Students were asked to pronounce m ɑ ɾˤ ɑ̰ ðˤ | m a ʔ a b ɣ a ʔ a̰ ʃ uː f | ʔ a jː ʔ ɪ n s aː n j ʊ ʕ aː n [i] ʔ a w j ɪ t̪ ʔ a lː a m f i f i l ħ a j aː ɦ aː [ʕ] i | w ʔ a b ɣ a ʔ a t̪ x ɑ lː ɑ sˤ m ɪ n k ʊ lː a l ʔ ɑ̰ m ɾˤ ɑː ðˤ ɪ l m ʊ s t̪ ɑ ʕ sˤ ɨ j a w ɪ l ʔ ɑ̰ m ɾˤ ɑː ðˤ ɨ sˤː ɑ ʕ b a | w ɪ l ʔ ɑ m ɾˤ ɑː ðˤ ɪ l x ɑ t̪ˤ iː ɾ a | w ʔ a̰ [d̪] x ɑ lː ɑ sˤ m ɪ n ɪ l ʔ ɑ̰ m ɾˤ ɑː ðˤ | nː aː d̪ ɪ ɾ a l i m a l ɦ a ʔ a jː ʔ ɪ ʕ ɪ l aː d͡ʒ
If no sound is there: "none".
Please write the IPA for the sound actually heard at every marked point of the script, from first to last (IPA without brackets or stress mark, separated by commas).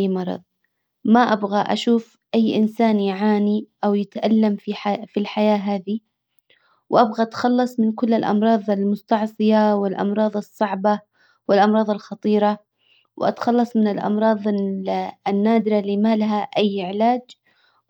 i, ð, t̪